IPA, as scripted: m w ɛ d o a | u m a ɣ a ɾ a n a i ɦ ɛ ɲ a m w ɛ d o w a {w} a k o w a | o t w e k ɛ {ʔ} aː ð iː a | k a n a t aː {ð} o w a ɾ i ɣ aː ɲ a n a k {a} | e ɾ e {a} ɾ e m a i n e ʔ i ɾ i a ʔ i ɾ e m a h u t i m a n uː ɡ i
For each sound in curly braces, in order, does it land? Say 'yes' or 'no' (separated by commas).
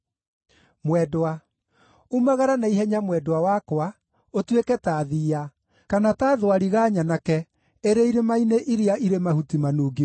yes, no, yes, no, no